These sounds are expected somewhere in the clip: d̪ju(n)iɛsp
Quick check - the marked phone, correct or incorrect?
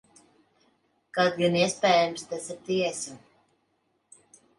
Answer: correct